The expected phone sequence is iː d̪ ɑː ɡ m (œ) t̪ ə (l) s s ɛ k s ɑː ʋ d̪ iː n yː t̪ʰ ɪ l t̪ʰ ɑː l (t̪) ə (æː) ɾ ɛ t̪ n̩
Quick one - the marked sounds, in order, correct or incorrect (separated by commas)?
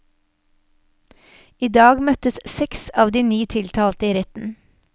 correct, incorrect, correct, incorrect